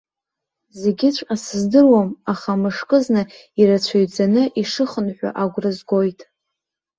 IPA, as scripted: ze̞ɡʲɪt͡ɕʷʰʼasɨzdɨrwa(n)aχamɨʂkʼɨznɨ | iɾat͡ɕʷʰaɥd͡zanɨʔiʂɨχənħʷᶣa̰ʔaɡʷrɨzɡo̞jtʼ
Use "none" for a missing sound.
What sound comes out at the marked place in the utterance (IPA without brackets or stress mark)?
m